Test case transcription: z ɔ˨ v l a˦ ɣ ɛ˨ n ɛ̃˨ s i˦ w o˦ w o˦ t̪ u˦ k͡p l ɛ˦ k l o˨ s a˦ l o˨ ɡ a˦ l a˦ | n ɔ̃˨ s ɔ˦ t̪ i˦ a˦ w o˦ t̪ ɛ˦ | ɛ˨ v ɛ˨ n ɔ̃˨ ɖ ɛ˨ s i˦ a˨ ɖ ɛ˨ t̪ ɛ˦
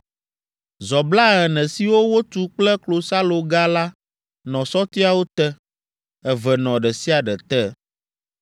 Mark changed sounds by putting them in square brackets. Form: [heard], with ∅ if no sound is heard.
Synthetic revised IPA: z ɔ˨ [b] l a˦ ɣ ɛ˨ n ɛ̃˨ s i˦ w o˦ w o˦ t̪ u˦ k͡p l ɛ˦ k l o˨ s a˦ l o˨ ɡ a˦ l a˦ | n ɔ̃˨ s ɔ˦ t̪ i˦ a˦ w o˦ t̪ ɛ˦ | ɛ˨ v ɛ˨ n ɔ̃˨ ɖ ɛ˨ s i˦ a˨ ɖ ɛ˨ t̪ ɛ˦